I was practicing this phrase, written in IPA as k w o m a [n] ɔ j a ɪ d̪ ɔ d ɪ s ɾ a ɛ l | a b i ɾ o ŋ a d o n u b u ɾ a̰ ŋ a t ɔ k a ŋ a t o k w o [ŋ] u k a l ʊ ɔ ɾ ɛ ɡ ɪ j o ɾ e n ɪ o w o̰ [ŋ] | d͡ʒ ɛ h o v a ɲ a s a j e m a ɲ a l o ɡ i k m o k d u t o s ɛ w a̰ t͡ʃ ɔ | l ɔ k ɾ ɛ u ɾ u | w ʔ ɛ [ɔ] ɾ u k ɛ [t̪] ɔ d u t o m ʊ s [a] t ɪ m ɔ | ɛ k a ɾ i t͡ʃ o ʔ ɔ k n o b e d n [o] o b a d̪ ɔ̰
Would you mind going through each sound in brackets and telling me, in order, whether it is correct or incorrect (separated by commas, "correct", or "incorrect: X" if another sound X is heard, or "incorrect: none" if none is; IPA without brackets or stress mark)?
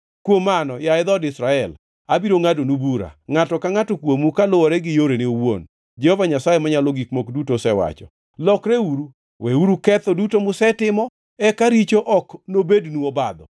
correct, incorrect: m, incorrect: n, incorrect: u, correct, incorrect: ɛ, incorrect: u